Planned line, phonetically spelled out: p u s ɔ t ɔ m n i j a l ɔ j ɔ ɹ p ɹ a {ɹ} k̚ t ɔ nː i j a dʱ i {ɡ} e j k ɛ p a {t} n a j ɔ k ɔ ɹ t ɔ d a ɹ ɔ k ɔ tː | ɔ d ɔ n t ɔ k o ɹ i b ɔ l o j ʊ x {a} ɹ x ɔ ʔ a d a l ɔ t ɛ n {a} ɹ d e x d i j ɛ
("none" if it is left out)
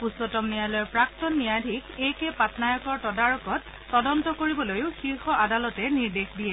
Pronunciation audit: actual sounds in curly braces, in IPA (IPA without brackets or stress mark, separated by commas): none, k, t, i, i